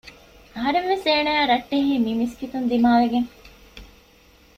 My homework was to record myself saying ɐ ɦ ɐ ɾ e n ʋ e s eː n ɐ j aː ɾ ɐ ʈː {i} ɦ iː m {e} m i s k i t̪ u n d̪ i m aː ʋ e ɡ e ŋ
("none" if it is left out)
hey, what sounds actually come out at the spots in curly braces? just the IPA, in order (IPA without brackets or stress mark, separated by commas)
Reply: e, i